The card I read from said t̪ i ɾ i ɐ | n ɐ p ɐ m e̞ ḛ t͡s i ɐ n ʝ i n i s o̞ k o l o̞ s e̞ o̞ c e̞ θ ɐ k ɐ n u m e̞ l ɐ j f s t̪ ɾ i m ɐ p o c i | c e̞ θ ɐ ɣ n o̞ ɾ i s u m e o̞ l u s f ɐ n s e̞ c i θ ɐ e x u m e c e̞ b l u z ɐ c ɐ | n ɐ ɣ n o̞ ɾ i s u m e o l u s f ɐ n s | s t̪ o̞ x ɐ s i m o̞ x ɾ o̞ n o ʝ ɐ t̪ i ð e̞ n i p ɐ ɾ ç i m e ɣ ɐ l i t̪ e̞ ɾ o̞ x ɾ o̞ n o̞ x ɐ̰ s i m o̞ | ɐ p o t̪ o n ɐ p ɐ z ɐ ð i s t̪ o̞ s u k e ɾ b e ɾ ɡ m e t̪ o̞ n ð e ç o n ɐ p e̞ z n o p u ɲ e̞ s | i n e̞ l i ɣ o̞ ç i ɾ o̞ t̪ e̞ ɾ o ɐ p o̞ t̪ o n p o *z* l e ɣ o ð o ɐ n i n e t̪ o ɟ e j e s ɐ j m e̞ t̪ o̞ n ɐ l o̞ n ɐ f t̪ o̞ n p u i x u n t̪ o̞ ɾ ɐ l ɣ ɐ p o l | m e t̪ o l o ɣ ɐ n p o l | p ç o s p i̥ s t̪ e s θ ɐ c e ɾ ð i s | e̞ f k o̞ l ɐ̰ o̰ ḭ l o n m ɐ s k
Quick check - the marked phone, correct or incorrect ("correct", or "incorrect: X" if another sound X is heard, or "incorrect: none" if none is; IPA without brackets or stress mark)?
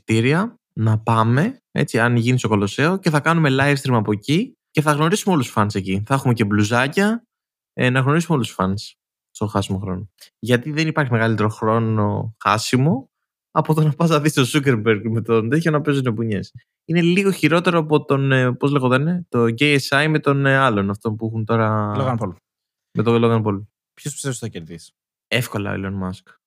correct